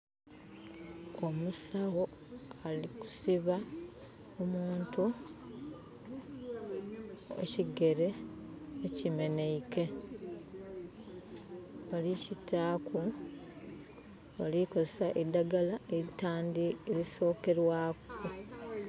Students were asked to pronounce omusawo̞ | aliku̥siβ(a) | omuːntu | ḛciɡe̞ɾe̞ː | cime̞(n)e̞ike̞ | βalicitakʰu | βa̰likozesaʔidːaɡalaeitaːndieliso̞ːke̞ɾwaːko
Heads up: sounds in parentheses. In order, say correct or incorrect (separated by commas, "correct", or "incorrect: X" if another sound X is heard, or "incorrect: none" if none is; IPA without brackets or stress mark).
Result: correct, correct